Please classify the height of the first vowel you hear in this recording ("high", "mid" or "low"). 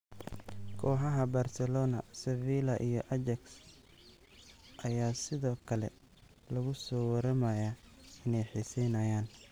mid